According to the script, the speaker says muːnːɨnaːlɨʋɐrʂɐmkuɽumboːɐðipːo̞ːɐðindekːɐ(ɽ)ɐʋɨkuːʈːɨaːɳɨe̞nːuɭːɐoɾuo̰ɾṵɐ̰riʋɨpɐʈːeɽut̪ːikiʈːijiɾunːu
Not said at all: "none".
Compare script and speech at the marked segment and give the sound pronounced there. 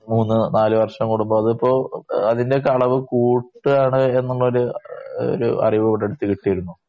ɭ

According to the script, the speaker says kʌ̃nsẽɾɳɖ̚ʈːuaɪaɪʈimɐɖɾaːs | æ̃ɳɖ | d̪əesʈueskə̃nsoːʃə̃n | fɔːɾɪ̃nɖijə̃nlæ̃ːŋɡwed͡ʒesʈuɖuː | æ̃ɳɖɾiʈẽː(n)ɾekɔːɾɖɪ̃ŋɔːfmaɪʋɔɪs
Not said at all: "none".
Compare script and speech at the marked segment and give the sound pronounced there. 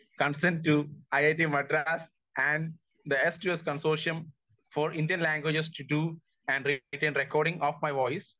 n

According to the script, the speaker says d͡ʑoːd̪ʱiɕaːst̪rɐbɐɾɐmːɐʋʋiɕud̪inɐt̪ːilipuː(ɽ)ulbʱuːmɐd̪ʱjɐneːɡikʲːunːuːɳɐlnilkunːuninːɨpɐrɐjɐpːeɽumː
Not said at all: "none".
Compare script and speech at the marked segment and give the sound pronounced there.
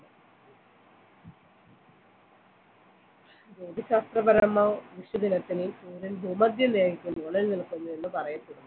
ɾ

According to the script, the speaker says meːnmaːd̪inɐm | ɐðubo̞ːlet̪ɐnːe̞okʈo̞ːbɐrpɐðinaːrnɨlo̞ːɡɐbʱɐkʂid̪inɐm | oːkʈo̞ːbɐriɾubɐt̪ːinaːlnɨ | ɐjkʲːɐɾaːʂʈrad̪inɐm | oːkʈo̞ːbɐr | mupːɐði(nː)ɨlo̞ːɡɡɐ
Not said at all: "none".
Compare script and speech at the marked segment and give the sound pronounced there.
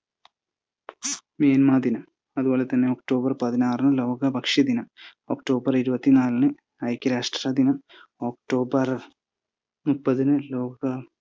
n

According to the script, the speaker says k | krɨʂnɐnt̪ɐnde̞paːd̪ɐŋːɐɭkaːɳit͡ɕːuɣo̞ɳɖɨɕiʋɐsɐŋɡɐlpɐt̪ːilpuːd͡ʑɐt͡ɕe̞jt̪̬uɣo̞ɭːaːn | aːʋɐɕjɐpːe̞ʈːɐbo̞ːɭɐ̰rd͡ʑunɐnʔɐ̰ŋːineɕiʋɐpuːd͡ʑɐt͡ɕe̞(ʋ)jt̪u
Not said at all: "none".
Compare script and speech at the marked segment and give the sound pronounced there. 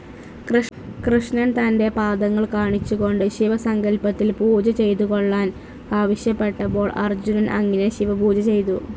none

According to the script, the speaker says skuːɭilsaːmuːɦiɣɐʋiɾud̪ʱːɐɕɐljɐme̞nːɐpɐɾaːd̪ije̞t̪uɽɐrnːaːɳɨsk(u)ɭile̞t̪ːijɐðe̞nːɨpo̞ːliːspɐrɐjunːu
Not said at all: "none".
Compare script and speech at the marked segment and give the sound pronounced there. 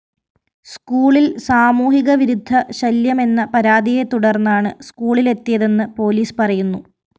uː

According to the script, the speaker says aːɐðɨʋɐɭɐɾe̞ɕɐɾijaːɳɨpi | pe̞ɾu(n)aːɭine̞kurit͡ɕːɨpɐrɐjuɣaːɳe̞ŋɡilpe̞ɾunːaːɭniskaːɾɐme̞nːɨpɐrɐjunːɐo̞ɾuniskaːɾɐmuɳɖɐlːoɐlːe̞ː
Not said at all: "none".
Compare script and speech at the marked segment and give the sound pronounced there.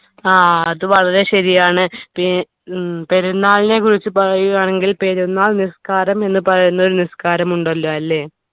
nː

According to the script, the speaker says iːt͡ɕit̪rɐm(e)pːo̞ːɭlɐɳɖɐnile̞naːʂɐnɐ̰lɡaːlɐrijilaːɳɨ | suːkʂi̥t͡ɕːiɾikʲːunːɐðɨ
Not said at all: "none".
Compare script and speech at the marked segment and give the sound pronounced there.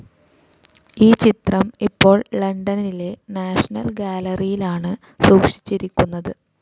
i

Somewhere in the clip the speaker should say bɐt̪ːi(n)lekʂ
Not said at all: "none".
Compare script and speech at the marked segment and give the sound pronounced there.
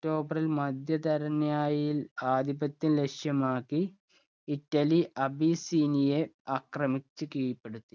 n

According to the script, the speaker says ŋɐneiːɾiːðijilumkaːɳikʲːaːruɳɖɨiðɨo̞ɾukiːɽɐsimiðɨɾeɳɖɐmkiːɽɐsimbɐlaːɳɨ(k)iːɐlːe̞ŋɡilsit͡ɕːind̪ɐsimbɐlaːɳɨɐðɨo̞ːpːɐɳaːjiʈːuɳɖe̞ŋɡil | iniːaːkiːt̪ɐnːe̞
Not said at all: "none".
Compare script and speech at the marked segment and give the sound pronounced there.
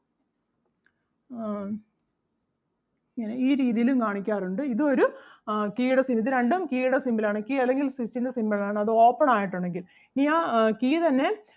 k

